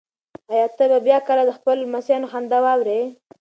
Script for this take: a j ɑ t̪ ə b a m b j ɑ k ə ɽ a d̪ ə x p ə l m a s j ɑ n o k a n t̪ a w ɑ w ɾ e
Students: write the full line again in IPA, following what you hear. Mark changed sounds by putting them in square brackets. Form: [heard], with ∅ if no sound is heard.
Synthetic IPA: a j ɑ t̪ ə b a [∅] b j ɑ k ə [l] a d̪ ə x p ə l m a s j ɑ n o [x] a n [d̪] a w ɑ w ɾ e

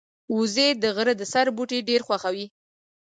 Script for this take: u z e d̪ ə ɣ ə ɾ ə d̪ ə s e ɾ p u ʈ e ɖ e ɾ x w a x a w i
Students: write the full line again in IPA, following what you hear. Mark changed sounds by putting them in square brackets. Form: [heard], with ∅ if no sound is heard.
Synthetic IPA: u z e d̪ ə ɣ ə ɾ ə d̪ ə s [a] ɾ [b] u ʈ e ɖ e ɾ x w a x a w i

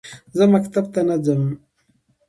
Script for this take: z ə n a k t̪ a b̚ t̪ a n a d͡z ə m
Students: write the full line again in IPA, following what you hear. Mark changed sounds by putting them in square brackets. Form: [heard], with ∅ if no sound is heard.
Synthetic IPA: z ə [m] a k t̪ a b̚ t̪ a n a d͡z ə m

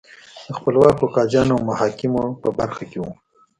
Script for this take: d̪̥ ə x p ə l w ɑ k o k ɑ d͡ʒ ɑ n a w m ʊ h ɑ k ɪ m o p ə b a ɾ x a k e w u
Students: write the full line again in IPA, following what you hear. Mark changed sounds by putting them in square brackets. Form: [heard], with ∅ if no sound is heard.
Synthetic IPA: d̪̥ ə x p ə l w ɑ k o k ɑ d͡ʒ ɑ n a w m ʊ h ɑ k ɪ m o p ə b a ɾ x a k e w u

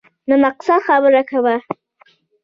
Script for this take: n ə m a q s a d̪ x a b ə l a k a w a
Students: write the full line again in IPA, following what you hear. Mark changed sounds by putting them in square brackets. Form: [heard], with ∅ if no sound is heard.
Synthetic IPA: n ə m a q s a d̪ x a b ə [ɾ] a k a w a

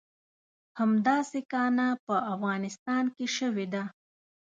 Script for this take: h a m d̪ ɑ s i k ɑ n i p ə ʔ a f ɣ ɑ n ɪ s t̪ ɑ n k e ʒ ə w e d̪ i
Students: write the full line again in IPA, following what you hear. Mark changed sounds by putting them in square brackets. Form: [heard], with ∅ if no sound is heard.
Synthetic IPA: h a m d̪ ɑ s [e] k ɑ n [a] p ə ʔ a f ɣ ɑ n ɪ s t̪ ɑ n k e [ʃ] ə w e d̪ [a]

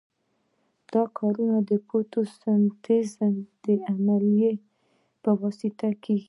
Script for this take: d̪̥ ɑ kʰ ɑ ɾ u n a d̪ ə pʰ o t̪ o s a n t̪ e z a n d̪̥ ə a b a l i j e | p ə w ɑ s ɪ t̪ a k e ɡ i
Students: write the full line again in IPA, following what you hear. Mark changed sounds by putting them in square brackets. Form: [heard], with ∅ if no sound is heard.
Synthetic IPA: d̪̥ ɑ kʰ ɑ ɾ u n a d̪ ə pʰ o t̪ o s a n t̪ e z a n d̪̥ ə a [m] a l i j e | p ə w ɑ s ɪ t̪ a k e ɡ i

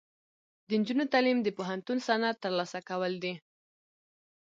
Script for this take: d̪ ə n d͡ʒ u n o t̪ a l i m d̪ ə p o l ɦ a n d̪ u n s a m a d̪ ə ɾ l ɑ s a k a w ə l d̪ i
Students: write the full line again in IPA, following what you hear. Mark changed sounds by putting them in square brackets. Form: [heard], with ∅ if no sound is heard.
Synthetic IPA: d̪ ə n d͡ʒ u n o t̪ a l i m d̪ ə p o [∅] ɦ a n [t̪] u n s a [n] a [t̪] ə ɾ l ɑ s a k a w ə l d̪ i

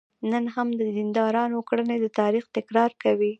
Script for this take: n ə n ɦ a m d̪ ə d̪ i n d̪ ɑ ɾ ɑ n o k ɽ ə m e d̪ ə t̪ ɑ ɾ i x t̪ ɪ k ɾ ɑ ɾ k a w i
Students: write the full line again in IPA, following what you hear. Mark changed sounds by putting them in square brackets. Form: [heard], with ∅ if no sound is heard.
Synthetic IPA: n ə n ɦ a m d̪ ə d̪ i n d̪ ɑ ɾ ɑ n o k ɽ ə [n] e d̪ ə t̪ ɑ ɾ i x t̪ ɪ k ɾ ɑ ɾ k a w i

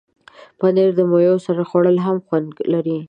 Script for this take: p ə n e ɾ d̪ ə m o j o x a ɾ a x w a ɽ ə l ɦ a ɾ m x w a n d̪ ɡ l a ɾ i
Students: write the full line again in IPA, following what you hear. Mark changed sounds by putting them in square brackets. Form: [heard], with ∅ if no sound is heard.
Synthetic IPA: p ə n e ɾ d̪ ə m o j o [s] a ɾ a x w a ɽ ə l ɦ a [∅] m x w a n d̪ ɡ l a ɾ i

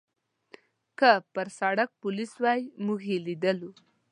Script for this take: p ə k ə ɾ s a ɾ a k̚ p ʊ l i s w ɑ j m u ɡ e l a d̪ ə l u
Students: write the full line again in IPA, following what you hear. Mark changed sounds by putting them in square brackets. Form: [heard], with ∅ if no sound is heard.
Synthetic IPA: [k] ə [p] ə ɾ s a [ɽ] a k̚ p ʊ l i s w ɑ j m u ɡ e l [i] d̪ ə l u

